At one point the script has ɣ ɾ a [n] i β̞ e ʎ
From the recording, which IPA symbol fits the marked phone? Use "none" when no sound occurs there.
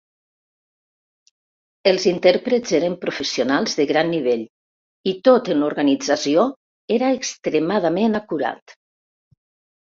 nː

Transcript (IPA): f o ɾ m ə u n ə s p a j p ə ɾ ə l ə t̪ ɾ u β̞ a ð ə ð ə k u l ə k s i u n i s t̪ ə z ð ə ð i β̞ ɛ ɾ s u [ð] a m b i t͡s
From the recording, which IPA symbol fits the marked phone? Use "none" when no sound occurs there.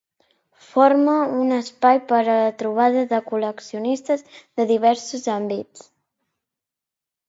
z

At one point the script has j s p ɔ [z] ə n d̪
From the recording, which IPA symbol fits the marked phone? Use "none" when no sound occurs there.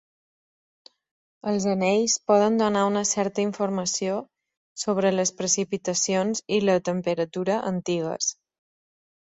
ð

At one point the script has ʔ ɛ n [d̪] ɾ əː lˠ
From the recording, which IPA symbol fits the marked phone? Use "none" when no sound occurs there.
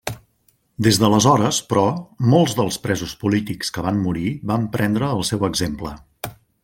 d̪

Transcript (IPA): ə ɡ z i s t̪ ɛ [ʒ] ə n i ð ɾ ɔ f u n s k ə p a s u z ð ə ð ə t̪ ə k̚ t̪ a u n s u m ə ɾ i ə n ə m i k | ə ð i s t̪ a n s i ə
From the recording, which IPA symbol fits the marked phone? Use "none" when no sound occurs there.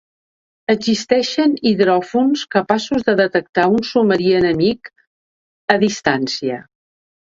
ʃ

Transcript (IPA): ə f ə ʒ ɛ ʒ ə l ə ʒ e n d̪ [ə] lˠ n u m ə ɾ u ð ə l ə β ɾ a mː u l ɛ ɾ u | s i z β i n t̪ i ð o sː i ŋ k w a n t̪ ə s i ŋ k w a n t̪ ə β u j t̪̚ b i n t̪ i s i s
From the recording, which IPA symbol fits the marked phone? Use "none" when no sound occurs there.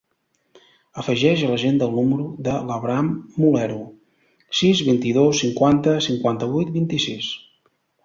ə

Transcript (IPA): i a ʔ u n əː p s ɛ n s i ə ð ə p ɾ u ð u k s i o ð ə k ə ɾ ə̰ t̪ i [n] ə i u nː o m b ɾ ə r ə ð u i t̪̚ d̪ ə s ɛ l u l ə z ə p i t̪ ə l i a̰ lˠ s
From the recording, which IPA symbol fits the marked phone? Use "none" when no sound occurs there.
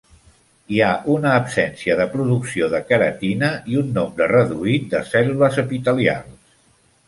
n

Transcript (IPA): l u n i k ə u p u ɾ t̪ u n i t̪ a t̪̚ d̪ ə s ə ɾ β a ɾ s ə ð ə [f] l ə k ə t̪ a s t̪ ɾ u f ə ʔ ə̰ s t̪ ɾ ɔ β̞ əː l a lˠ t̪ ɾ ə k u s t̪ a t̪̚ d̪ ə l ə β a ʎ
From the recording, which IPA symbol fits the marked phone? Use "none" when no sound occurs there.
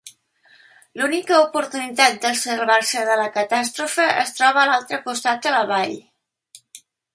none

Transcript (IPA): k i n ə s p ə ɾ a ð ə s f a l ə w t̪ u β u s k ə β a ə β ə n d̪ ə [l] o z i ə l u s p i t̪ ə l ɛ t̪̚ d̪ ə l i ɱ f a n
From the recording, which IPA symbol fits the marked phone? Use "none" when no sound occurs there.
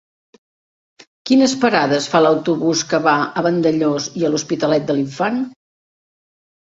ʎ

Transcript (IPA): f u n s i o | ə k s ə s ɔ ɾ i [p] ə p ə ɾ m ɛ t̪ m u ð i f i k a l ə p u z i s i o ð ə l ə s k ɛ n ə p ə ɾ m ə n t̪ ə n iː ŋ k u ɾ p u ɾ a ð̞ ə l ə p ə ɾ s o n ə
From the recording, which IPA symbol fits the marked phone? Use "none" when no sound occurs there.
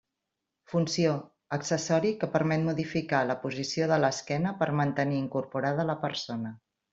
k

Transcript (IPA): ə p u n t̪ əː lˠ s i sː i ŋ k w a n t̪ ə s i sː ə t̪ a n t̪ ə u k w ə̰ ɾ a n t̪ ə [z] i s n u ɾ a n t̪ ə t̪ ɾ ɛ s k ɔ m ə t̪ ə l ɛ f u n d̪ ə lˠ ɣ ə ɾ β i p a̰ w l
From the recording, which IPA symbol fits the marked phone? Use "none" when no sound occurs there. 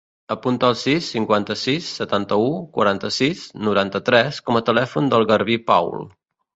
s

